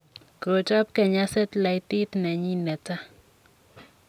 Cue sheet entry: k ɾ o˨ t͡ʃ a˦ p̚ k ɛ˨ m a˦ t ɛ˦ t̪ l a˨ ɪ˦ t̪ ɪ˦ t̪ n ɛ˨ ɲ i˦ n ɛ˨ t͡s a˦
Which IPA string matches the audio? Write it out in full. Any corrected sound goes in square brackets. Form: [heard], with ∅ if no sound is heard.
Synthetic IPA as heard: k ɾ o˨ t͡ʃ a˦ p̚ k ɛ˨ [ɲ] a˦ [s] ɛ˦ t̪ l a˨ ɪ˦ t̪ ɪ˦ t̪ n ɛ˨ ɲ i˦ n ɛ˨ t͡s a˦